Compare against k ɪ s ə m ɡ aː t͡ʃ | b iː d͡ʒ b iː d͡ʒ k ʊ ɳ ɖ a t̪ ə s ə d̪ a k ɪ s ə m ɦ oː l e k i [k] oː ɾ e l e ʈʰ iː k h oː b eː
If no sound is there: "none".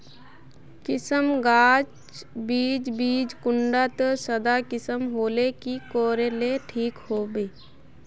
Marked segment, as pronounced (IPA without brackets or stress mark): k